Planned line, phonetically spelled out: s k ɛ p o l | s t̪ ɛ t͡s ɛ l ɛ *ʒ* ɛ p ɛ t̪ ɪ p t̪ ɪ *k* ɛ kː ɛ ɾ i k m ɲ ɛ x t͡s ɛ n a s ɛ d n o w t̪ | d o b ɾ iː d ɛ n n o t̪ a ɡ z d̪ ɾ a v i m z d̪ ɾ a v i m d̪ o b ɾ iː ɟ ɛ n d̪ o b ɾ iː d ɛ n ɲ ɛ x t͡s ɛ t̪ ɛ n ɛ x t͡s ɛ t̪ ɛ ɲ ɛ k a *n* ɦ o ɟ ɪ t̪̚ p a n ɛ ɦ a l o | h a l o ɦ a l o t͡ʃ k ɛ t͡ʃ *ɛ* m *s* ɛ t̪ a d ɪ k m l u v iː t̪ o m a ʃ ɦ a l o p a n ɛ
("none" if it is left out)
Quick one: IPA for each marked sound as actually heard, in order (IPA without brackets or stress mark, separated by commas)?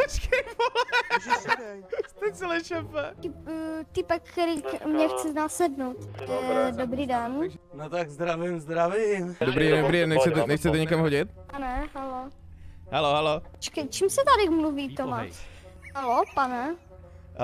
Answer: ʃ, p, m, i, s